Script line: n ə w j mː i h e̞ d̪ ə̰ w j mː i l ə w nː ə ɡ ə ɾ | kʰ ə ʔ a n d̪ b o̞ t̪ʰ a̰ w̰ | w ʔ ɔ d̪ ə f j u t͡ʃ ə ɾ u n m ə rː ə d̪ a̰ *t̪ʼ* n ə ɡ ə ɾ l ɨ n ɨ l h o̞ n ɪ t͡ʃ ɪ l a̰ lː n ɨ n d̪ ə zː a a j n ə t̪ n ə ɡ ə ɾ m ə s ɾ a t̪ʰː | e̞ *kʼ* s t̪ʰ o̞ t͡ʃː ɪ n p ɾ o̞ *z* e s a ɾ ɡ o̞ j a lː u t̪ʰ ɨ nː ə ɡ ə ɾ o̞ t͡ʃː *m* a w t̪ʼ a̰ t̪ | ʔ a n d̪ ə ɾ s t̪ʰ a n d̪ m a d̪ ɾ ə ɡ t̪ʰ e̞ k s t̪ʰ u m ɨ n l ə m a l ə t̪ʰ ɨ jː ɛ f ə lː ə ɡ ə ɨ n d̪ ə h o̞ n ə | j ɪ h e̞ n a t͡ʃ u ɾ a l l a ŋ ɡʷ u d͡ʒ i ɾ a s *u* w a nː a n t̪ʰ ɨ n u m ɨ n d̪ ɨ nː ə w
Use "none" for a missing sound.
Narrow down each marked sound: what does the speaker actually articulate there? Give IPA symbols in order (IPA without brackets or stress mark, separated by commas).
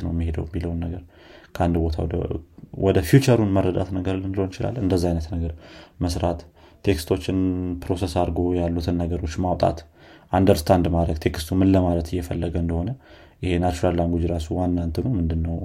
t̪, k, s, m, u